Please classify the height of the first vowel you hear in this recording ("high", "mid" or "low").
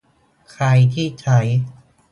low